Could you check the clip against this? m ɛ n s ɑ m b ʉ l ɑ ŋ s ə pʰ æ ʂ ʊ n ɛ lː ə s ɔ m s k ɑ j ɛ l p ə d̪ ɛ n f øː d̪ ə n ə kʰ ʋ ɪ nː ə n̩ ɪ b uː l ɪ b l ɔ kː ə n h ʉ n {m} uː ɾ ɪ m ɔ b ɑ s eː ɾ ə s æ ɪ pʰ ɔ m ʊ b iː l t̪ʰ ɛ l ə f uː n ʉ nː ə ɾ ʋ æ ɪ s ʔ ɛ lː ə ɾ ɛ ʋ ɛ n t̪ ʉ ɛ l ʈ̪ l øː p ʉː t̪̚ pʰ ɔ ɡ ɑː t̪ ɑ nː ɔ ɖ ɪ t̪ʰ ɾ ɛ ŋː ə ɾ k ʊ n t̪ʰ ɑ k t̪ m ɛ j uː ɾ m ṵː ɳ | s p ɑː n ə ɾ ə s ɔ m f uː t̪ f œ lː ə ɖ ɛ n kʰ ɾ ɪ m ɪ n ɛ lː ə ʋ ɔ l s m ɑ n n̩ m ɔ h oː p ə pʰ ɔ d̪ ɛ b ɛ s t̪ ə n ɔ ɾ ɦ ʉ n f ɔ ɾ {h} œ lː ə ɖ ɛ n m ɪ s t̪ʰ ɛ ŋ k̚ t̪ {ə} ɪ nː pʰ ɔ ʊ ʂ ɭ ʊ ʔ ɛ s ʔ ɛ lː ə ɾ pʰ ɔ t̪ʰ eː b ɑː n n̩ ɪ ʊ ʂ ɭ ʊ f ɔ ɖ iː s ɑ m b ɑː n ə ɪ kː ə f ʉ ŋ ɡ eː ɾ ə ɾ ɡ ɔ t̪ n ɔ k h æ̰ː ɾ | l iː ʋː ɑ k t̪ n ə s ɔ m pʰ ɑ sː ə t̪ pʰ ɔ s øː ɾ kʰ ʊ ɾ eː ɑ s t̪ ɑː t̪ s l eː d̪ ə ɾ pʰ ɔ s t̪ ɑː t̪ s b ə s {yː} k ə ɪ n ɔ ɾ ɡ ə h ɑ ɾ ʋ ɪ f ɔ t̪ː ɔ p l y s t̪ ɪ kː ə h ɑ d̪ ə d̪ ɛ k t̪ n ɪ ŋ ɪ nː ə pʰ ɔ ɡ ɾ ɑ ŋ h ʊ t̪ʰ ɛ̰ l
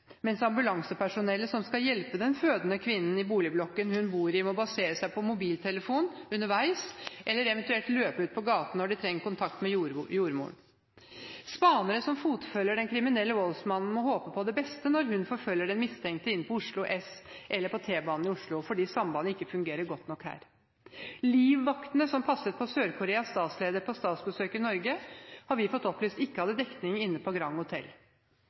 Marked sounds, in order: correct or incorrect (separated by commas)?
incorrect, incorrect, correct, incorrect